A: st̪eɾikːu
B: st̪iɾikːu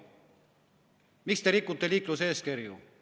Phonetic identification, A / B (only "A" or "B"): A